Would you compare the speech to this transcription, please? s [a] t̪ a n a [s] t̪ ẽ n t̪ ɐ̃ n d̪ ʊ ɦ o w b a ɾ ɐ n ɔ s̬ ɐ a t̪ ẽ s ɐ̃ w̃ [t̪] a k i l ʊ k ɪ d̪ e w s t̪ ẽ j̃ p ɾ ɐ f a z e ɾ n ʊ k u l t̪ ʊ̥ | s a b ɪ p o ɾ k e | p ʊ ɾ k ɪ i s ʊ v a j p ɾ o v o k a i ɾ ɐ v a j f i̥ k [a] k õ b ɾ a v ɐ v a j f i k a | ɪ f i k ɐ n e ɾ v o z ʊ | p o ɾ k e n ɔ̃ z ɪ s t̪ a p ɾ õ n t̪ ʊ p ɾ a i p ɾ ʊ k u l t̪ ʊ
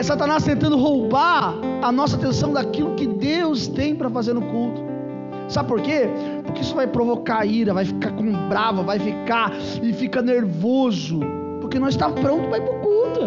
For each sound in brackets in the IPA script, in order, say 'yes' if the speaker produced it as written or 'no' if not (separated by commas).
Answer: yes, yes, no, yes